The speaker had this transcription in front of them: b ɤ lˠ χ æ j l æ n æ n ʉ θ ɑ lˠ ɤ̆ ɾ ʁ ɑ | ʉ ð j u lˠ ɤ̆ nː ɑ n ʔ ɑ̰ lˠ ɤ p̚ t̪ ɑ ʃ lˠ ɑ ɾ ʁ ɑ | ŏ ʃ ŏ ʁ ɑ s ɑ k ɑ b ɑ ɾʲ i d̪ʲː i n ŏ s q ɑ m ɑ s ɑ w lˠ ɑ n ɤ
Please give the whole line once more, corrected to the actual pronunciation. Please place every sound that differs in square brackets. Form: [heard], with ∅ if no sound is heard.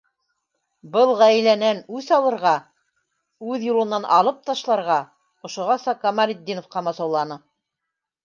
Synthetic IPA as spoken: b ɤ lˠ [ʁ] æ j l æ n æ n ʉ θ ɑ lˠ ɤ̆ ɾ ʁ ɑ | ʉ ð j u lˠ ɤ̆ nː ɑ n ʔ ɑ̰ lˠ ɤ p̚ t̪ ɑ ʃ lˠ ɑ ɾ ʁ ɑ | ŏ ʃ ŏ ʁ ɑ s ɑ k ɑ [m] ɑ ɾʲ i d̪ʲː i n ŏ [f] q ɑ m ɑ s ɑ w lˠ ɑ n ɤ